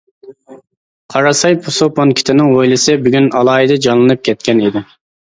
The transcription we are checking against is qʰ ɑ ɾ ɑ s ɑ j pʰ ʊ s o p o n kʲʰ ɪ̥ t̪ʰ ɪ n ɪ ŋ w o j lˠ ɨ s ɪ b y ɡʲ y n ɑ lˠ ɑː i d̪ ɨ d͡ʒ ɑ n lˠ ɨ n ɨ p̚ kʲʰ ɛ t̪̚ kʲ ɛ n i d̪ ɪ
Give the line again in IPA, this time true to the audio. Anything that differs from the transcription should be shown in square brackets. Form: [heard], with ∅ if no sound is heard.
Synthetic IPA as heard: qʰ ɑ ɾ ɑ s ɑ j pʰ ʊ s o p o n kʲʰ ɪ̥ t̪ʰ ɪ n ɪ ŋ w o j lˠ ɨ s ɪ b y ɡʲ y n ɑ lˠ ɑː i d̪ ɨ d͡ʒ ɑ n lˠ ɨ n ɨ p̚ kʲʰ ɛ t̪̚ kʲ ɛ n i d̪ ɪ